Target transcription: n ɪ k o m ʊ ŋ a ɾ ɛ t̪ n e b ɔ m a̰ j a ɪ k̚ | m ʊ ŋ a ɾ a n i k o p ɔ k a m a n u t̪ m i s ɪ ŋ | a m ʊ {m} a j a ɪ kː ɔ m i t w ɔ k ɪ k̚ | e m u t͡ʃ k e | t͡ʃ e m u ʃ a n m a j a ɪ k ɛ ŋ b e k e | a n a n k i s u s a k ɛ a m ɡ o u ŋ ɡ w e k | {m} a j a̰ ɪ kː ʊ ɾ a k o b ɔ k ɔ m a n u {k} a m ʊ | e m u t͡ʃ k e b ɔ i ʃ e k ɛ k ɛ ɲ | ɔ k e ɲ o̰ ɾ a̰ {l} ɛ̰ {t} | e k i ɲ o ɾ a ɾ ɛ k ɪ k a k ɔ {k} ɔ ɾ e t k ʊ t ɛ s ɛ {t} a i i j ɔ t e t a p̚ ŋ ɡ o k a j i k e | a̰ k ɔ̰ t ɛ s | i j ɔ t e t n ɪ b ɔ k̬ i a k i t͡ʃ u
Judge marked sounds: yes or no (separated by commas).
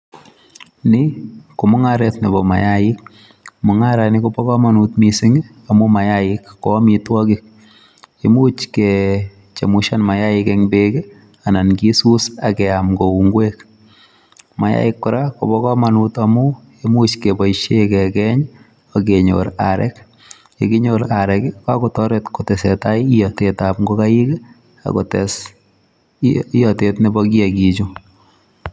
yes, yes, no, no, no, no, yes